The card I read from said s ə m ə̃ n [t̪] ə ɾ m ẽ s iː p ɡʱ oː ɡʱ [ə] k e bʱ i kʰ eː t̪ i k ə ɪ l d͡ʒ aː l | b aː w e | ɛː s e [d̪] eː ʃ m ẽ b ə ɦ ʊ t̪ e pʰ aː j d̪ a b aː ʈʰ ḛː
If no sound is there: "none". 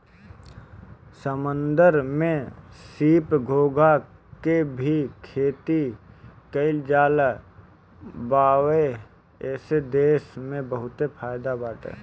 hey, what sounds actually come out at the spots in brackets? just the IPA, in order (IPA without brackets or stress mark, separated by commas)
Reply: d̪, a, d̪